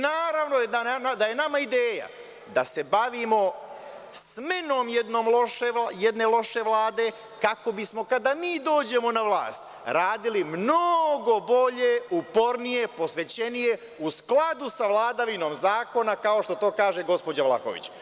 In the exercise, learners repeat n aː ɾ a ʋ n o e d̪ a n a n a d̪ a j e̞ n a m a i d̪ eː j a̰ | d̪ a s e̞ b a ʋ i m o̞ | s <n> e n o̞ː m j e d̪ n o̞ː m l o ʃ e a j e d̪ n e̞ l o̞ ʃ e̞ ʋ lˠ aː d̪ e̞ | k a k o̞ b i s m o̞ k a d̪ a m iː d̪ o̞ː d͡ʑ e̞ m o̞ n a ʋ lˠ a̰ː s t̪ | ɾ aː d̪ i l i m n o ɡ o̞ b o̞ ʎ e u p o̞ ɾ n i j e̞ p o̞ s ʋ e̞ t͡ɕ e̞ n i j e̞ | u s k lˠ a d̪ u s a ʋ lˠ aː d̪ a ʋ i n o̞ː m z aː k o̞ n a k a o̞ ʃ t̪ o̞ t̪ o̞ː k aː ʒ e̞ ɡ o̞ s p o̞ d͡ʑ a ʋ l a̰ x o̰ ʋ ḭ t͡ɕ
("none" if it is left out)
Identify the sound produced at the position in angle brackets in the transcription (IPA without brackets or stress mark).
m